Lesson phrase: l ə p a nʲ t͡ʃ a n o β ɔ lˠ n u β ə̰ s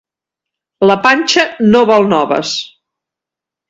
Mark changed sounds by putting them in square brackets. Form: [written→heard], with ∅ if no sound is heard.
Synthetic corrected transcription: l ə p a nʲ t͡ʃ [a→ə] n o β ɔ lˠ n [u→ɔ] β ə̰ s